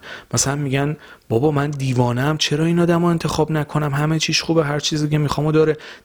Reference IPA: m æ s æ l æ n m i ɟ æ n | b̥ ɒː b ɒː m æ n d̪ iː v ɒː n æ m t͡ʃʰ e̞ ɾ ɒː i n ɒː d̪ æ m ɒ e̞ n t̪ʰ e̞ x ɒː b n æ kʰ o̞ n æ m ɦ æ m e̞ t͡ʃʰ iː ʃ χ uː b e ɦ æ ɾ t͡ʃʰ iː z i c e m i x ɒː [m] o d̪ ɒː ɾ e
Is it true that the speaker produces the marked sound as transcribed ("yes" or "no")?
yes